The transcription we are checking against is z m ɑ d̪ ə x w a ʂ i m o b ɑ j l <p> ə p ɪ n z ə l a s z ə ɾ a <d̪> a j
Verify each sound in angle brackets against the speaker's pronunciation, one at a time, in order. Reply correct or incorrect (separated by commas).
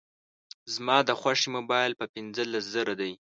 correct, correct